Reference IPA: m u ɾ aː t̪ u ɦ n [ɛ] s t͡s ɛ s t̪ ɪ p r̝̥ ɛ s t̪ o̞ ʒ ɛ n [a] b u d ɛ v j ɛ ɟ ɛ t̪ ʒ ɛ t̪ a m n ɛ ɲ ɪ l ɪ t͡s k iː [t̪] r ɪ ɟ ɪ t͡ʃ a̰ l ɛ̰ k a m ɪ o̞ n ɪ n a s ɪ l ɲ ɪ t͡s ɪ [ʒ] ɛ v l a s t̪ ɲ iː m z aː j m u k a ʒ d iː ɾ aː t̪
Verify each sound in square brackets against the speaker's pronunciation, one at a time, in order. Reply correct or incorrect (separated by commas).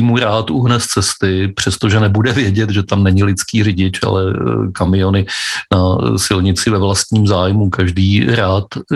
correct, incorrect, incorrect, incorrect